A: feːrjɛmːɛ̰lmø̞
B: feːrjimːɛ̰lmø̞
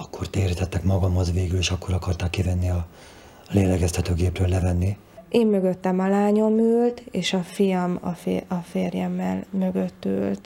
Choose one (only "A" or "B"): A